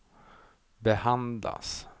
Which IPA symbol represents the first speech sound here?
b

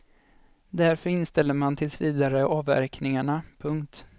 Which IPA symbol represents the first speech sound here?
d̪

